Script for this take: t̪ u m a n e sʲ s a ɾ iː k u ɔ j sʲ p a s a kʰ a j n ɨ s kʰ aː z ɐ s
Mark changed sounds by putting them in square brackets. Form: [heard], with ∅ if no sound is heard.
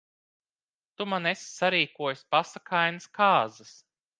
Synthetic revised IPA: t̪ u m a n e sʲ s a ɾ iː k u ɔ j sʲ p a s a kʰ a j n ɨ s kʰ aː z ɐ s